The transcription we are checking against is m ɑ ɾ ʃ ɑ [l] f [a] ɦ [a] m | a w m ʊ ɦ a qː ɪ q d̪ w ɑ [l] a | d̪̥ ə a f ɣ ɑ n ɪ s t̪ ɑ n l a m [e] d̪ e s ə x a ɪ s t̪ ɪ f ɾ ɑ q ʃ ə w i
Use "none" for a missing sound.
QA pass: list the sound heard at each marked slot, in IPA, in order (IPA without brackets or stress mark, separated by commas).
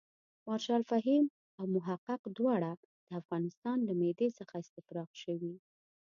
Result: l, a, i, ɽ, e